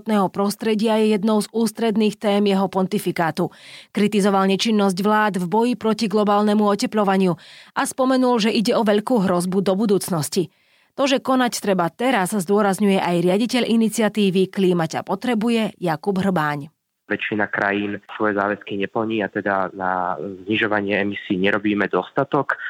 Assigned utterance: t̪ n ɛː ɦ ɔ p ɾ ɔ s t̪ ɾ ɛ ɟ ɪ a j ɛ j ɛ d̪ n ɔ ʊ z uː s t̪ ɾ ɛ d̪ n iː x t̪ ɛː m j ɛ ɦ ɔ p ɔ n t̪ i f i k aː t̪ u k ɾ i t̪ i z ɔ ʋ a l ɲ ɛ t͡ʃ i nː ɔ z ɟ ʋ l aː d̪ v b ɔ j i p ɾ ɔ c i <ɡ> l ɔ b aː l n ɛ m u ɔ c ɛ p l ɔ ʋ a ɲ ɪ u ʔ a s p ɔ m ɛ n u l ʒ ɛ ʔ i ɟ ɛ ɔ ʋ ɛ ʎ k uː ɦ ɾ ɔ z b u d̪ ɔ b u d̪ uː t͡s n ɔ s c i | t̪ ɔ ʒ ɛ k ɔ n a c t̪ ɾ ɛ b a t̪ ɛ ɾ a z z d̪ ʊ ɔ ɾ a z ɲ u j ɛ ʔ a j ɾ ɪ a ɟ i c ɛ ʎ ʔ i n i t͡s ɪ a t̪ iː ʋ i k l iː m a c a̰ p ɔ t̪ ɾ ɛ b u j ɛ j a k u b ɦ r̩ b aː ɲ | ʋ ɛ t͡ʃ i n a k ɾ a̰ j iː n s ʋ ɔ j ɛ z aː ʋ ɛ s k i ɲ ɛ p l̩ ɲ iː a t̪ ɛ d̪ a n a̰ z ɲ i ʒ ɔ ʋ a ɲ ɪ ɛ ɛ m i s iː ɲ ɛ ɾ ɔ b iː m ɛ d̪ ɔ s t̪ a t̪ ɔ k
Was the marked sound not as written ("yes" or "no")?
no